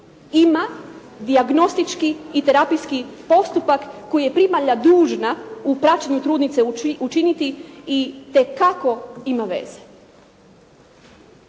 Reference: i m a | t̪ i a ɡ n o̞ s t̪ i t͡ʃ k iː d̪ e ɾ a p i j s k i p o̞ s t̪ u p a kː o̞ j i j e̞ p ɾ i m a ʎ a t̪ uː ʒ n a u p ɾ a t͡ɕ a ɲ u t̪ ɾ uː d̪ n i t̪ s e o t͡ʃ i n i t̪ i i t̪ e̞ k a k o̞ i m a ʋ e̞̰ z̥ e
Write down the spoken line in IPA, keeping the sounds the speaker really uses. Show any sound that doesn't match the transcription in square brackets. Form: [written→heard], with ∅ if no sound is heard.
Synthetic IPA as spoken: i m a | [t̪→d̪] i a ɡ n o̞ s t̪ i t͡ʃ k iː [d̪→t̪] e ɾ a p i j s k i p o̞ s t̪ u p a kː o̞ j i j e̞ p ɾ i m a ʎ a [t̪→d̪] uː ʒ n a u p ɾ a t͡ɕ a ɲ u t̪ ɾ uː d̪ n i t̪ s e [o→u] t͡ʃ i n i t̪ i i t̪ e̞ k a k o̞ i m a ʋ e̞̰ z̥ e